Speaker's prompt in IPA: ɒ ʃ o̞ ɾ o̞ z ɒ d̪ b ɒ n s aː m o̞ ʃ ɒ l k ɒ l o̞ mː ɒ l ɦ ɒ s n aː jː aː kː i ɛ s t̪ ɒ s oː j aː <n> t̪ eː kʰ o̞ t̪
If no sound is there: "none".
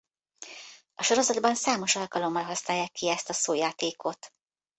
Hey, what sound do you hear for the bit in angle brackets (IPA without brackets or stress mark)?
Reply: none